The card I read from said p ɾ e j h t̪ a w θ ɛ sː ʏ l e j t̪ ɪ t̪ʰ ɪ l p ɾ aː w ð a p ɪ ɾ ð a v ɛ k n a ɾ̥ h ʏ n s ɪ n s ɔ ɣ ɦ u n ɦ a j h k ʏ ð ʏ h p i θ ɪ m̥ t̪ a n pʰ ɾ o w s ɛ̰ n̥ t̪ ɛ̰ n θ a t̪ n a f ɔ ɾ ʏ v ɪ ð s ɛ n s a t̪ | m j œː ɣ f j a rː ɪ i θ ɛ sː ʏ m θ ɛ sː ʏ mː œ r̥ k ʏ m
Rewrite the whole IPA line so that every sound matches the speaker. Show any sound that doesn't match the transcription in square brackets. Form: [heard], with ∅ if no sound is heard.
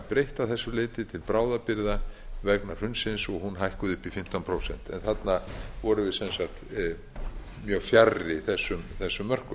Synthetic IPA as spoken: p ɾ e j h t̪ a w θ ɛ sː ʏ l e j t̪ ɪ t̪ʰ ɪ l p ɾ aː w ð a p ɪ ɾ ð a v ɛ k n a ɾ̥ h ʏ n s ɪ n s ɔ ɣ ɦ u n ɦ a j h k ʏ ð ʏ h p i [f] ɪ m̥ t̪ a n pʰ ɾ o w s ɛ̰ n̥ t̪ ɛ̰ n θ a t̪ n a [v] ɔ ɾ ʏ v ɪ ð s ɛ n s a t̪ | m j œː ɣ f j a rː ɪ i θ ɛ sː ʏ m θ ɛ sː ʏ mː œ r̥ k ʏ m

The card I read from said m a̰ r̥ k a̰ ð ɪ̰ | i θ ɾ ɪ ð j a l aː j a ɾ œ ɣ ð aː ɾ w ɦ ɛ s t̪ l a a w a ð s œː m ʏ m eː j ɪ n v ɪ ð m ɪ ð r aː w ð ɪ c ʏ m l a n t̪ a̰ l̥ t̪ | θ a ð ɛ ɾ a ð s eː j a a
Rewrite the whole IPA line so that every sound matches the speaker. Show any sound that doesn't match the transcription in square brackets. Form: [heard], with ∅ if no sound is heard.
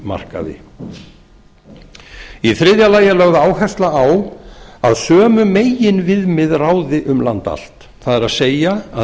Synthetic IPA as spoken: m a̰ r̥ k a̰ ð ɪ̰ | i θ ɾ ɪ ð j a l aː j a [l] œ ɣ ð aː [∅] w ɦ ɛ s t̪ l a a w a ð s œː m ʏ m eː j ɪ n v ɪ ð m ɪ ð r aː w ð ɪ [ʔ] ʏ m l a n t̪ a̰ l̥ t̪ | θ a ð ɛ ɾ a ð s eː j a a

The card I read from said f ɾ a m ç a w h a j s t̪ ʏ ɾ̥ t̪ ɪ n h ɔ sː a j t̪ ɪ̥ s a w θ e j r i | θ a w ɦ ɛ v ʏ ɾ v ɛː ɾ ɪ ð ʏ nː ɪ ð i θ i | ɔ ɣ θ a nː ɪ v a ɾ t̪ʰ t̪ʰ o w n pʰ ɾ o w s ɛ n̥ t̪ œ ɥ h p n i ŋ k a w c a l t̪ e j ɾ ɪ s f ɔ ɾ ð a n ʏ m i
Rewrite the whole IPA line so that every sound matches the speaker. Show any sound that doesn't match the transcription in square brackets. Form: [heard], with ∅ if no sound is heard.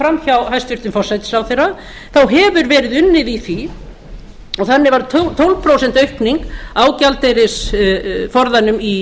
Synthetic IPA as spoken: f ɾ a m ç a w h a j s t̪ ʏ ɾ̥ t̪ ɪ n [f] ɔ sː a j t̪ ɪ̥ s a w θ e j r [a] | θ a w ɦ ɛ v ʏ ɾ v ɛː ɾ ɪ ð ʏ nː ɪ ð i θ i | ɔ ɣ θ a nː ɪ v a ɾ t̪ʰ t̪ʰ o w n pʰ ɾ o w s ɛ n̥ t̪ œ ɥ h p n i ŋ k a w c a l t̪ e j ɾ ɪ s f ɔ ɾ ð a n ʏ m i

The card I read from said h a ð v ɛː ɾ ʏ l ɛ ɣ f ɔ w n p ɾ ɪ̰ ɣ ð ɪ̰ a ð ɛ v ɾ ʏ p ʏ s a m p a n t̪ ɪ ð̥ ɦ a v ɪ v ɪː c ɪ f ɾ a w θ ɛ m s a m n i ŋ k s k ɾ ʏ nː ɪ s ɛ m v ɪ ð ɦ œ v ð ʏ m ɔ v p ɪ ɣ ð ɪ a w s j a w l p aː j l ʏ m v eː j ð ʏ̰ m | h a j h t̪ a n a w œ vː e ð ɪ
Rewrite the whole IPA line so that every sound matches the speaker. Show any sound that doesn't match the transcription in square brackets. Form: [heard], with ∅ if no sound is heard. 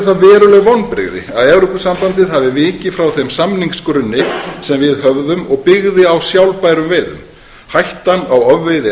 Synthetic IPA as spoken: [θ] a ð v ɛː ɾ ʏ l ɛ ɣ [v] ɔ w n p ɾ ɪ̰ ɣ ð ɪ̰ a ð ɛ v ɾ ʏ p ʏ s a m p a n t̪ ɪ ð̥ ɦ a v ɪ v ɪː c ɪ f ɾ a w θ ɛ m s a m n i ŋ k s k ɾ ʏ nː ɪ s ɛ m v ɪ ð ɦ œ v ð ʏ m ɔ [ɣ] p ɪ ɣ ð ɪ a w s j a w l p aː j [ɾ] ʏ m v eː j ð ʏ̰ m | h a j h t̪ a n a w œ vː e ð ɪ

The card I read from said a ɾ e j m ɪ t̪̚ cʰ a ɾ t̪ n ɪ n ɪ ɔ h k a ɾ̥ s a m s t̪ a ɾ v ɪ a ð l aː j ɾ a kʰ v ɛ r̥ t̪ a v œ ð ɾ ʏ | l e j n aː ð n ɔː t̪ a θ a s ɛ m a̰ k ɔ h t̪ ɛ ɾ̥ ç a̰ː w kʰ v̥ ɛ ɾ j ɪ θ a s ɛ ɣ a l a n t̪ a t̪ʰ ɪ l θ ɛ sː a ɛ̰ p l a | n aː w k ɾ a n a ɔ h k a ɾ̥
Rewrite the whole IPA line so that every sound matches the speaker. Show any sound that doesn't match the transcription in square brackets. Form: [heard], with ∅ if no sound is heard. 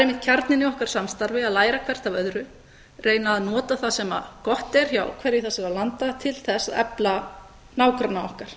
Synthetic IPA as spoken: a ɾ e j m ɪ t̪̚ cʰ a ɾ t̪ n ɪ n ɪ ɔ h k a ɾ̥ s a m s t̪ a ɾ v ɪ a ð l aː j ɾ a kʰ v ɛ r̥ t̪ a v œ ð ɾ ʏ | [r] e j n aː ð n ɔː t̪ a θ a s ɛ m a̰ k ɔ h t̪ ɛ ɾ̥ ç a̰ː w kʰ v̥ ɛ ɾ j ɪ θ a s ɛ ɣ a l a n t̪ a t̪ʰ ɪ l θ ɛ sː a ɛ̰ p l a | n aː w k ɾ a n a ɔ h k a ɾ̥

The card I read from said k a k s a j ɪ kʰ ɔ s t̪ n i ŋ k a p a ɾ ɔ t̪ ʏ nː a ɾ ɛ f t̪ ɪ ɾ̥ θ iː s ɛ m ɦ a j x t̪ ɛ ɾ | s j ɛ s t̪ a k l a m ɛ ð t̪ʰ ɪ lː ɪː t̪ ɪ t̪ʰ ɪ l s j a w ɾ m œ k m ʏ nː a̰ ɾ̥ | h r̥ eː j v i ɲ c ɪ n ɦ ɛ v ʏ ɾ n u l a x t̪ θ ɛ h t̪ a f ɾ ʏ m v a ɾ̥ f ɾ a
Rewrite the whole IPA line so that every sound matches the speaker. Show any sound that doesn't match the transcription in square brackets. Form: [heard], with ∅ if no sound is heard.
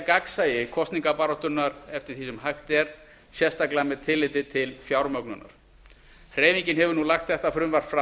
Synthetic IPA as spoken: k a k s a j ɪ kʰ ɔ s t̪ n i ŋ k a p a ɾ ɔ t̪ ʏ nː a ɾ ɛ f t̪ ɪ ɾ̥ θ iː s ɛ m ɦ a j x t̪ ɛ ɾ | s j ɛ s t̪ a k l a m ɛ ð t̪ʰ ɪ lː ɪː t̪ ɪ t̪ʰ ɪ l [f] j a w ɾ m œ k [n] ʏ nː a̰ ɾ̥ | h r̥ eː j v i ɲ c ɪ n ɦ ɛ v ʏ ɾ n u l a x t̪ θ ɛ h t̪ a f ɾ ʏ m v a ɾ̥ f ɾ a

